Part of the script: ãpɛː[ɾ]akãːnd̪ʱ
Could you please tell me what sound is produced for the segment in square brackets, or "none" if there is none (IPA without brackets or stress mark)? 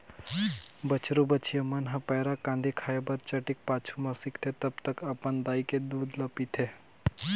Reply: ɾ